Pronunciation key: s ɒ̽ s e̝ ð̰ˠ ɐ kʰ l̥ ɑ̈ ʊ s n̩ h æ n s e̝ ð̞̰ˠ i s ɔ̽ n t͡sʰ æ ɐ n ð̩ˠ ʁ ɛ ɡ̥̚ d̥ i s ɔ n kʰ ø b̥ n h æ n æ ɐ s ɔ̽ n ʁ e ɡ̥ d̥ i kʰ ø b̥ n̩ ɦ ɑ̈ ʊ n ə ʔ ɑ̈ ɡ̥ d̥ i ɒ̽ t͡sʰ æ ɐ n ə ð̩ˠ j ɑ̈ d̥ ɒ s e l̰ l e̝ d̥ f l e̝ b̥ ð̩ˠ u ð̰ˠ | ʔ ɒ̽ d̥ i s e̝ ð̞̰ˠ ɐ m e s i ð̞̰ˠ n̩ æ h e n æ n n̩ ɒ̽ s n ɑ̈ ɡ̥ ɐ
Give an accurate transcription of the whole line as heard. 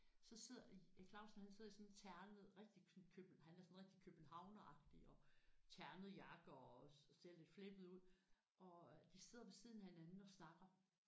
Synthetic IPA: s ɒ̽ s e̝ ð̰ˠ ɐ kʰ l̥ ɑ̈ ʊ s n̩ h æ n s e̝ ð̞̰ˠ i s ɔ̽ n t͡sʰ æ ɐ n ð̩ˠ ʁ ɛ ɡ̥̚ d̥ i s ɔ n kʰ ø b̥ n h æ n æ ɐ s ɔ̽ n ʁ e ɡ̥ d̥ i kʰ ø b̥ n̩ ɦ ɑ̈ ʊ n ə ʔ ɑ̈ ɡ̥ d̥ i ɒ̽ t͡sʰ æ ɐ n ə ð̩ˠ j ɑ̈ ɡ̥ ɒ s e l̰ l e̝ d̥ f l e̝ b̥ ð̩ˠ u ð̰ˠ | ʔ ɒ̽ d̥ i s e̝ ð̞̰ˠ ɐ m e s i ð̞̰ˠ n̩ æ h e n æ n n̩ ɒ̽ s n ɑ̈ ɡ̥ ɐ